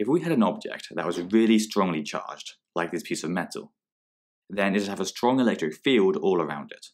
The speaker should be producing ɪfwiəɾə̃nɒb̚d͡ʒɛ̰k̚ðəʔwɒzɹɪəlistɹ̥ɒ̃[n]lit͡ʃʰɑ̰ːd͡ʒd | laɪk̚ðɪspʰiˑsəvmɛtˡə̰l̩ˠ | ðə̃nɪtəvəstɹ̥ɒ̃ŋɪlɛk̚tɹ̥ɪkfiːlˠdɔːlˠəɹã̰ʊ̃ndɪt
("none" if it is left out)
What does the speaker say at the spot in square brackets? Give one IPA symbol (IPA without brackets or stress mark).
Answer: ŋ